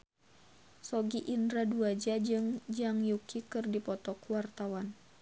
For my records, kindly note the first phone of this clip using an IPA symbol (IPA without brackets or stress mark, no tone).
s